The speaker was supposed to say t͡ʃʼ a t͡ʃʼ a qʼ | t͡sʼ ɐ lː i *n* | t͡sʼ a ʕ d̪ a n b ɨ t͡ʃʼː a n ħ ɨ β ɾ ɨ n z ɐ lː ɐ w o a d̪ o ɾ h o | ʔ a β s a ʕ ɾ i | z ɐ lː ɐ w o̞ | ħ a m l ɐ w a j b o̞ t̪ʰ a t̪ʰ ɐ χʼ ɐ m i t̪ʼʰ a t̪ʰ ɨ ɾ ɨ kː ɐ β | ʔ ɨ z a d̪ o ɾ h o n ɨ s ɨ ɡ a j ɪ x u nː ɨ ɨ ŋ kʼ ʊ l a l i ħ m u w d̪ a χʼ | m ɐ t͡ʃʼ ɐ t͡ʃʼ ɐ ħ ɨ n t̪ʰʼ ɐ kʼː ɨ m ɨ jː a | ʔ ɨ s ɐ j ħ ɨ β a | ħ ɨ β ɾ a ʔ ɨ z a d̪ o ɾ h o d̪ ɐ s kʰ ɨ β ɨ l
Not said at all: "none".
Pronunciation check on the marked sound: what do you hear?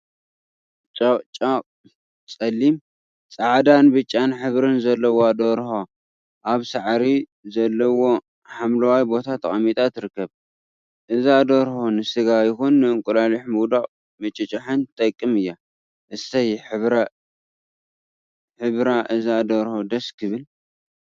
m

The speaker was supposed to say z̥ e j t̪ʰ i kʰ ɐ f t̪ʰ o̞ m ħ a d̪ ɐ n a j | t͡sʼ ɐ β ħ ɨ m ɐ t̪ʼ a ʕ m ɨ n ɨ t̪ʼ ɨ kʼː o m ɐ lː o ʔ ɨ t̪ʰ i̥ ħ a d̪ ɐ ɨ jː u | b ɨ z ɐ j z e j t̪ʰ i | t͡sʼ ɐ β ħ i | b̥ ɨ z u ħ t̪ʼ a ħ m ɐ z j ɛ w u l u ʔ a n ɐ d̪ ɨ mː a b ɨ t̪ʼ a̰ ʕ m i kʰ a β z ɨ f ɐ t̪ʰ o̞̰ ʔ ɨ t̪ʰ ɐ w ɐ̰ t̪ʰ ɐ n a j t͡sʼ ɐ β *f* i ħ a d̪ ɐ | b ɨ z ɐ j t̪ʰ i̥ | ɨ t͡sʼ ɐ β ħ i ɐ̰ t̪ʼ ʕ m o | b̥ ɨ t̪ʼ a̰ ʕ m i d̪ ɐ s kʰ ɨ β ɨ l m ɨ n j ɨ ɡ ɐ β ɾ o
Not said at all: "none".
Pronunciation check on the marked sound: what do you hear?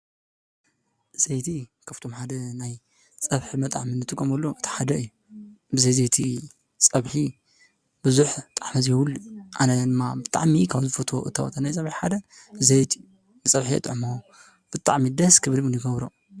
ħ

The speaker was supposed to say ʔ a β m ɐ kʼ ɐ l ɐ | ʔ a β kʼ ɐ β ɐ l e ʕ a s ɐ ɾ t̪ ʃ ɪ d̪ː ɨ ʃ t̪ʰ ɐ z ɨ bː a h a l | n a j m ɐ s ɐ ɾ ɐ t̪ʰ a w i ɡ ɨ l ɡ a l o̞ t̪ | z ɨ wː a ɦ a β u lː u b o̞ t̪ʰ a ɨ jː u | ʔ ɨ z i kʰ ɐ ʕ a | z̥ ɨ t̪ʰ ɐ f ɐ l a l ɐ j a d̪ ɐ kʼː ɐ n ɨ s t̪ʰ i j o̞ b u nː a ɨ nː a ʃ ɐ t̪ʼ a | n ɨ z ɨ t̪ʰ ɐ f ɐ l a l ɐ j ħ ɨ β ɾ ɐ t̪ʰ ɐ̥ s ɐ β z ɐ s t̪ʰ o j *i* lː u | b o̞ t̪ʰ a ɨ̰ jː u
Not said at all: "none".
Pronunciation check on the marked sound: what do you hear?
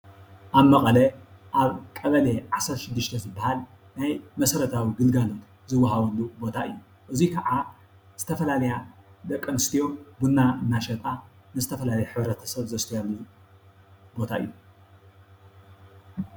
a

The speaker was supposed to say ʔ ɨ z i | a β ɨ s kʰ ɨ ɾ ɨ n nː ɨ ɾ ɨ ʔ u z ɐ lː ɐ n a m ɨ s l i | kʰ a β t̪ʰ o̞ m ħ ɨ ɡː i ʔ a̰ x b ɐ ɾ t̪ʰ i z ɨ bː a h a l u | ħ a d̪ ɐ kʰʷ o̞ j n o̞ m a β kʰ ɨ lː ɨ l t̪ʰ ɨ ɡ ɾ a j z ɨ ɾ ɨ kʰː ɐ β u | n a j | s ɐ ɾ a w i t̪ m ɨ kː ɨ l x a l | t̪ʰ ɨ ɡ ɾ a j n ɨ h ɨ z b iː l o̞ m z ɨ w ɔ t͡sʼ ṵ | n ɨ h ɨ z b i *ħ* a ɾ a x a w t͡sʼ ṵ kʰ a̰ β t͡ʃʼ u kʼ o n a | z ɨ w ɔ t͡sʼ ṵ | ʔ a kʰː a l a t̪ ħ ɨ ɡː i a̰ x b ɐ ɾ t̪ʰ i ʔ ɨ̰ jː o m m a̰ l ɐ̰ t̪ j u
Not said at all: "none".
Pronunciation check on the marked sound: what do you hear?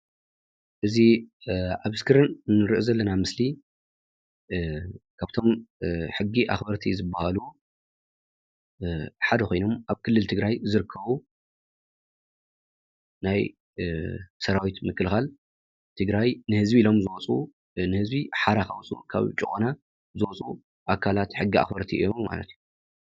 ħ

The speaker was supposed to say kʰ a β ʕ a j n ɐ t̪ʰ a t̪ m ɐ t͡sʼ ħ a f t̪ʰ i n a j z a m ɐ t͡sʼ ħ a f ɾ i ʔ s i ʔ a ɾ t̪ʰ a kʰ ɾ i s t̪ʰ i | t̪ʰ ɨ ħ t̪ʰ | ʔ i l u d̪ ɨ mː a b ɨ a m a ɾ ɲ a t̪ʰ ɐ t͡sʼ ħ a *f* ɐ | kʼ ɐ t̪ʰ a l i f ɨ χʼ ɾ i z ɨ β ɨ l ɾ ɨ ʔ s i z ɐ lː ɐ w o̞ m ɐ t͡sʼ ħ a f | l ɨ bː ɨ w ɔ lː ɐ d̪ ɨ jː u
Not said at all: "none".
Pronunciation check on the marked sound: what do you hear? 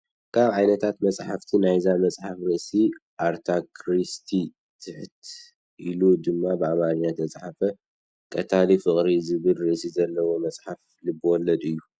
f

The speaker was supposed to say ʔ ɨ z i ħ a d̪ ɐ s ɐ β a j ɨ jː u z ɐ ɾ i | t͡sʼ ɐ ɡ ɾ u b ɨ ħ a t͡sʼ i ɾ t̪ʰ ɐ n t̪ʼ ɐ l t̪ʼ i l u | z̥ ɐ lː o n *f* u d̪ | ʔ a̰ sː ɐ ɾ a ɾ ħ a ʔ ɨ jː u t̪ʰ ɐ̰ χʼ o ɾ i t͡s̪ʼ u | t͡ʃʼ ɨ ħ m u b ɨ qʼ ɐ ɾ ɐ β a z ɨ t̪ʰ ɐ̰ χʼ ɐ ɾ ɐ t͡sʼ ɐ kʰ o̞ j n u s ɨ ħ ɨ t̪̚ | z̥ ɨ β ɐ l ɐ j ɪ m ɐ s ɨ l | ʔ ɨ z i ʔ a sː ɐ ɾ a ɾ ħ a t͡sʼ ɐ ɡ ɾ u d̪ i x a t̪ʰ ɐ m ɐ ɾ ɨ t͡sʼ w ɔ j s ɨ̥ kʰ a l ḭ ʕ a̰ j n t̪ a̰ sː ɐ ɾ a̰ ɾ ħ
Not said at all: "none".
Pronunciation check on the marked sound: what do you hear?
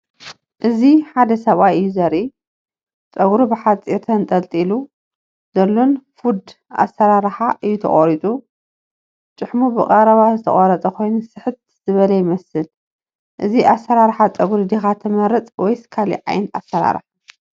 f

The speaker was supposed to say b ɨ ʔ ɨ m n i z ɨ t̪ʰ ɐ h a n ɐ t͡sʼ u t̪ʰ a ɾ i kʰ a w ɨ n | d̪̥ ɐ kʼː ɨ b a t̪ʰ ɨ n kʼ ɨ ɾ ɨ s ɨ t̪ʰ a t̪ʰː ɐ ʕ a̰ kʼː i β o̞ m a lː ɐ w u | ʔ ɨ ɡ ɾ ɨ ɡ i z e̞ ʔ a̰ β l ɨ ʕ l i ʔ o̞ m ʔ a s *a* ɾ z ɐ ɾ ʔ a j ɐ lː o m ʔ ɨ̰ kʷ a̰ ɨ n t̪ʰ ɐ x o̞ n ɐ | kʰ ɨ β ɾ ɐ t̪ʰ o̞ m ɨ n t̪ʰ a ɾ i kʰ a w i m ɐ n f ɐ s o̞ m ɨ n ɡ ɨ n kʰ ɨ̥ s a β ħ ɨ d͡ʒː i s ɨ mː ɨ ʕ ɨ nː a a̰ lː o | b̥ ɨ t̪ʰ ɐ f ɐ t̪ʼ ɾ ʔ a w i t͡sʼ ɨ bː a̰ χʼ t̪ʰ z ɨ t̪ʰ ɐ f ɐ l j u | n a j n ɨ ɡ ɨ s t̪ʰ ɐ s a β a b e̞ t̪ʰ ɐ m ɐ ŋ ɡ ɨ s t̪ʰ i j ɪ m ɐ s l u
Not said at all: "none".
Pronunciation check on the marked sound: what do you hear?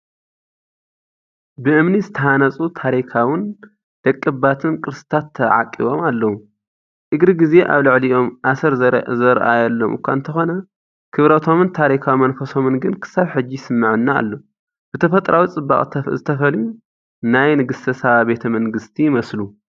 ɐ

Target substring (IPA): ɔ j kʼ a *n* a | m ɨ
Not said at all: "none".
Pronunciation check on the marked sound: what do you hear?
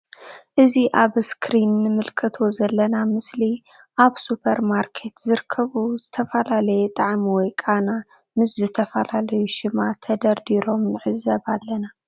n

